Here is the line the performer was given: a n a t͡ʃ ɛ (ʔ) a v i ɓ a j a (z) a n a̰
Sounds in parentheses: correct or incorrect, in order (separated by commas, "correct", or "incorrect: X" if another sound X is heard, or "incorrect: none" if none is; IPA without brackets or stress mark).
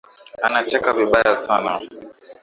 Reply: incorrect: k, incorrect: s